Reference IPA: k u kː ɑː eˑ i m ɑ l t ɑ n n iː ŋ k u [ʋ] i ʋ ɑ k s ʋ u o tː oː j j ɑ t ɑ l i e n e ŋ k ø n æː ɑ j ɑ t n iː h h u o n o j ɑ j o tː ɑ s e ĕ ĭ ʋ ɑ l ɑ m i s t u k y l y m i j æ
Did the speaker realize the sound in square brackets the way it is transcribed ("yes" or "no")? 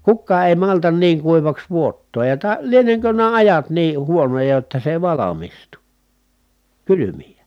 no